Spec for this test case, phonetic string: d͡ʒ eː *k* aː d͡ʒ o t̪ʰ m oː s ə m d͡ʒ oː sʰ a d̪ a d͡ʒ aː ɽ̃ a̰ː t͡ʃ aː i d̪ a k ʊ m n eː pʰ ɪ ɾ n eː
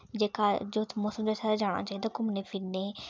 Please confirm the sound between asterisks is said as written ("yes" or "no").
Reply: yes